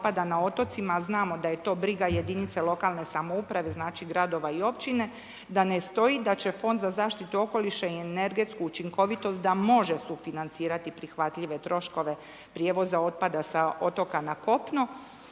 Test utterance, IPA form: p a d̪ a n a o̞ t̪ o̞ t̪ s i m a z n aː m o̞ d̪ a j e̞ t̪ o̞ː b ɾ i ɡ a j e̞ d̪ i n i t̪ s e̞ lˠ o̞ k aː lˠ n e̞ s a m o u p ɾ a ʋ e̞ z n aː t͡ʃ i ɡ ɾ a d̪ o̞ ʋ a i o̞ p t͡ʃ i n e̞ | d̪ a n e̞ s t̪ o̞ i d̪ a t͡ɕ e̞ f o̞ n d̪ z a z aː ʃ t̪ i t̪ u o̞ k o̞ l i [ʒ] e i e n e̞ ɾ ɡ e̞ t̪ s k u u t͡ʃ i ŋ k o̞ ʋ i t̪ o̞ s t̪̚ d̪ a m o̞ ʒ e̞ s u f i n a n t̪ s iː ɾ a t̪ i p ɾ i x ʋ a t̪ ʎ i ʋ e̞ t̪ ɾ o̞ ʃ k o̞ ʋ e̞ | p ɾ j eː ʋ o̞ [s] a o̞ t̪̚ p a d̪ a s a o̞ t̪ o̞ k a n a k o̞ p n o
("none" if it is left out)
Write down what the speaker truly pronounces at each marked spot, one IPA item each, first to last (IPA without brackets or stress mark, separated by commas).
ʃ, z